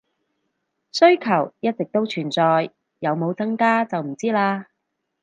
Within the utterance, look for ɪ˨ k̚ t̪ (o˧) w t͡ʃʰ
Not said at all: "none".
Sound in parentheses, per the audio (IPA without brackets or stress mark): o˥